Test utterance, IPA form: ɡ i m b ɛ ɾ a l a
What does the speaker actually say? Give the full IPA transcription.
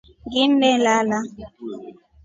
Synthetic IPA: ɡ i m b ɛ l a l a